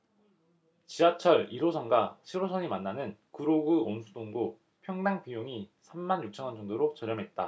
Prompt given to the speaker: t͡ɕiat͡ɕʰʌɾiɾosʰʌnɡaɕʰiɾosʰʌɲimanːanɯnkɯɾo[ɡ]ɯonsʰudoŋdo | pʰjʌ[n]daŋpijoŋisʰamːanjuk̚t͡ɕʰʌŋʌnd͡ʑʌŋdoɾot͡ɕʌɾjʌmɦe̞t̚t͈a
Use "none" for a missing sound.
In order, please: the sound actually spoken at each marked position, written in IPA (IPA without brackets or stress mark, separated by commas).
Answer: ɡ, ŋ